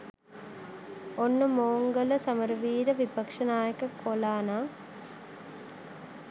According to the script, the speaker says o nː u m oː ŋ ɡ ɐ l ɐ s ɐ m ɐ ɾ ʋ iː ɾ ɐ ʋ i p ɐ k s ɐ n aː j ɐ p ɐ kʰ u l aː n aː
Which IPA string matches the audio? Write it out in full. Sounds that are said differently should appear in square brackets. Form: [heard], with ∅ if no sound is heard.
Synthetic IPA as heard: o nː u m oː ŋ ɡ ɐ l ɐ s ɐ m ɐ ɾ ʋ iː ɾ ɐ ʋ i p ɐ k [ʂ] ɐ n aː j ɐ [k] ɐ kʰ [o] l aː n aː